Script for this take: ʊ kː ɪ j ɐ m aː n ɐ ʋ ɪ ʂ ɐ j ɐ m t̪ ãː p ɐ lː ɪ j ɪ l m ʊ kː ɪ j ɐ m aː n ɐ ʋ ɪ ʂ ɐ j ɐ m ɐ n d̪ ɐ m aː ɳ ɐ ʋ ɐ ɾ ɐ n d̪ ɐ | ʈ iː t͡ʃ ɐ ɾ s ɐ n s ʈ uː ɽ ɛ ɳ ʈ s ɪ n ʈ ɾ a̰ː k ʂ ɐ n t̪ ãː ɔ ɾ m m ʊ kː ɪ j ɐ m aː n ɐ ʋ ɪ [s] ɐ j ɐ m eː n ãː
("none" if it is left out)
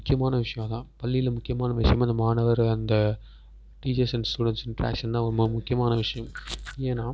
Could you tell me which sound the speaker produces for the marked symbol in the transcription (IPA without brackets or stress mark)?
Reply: ʂ